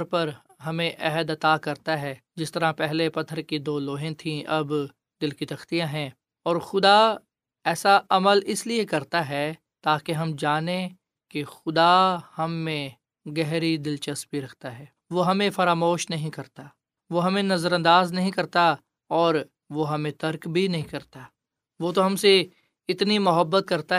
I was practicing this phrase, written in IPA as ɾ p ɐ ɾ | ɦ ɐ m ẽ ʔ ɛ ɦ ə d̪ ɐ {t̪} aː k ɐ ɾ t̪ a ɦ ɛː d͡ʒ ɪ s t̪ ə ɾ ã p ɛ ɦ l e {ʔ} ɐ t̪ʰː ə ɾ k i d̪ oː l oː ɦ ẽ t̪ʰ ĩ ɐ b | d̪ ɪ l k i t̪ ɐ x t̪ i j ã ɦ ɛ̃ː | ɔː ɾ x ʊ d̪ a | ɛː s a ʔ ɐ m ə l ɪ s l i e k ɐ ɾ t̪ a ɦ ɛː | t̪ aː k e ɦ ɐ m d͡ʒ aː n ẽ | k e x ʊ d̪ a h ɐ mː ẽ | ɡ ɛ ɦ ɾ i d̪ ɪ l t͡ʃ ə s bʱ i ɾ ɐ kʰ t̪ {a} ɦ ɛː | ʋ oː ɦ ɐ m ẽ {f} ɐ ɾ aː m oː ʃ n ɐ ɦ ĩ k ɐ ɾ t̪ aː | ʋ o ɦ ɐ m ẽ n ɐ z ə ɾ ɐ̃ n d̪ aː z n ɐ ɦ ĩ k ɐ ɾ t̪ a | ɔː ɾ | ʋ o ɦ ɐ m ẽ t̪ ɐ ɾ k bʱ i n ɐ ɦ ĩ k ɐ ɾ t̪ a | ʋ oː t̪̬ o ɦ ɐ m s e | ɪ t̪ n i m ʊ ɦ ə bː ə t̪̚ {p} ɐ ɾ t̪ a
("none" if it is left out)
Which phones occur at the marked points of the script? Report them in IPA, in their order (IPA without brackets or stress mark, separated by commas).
t̪, p, a, f, k